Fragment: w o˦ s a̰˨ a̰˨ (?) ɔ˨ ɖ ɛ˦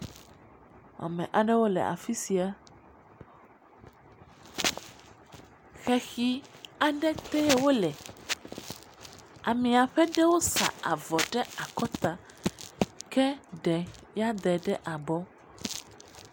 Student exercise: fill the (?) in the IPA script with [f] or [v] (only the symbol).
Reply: v